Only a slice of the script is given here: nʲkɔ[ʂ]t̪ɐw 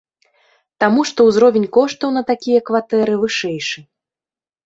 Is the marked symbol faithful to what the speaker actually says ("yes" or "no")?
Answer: yes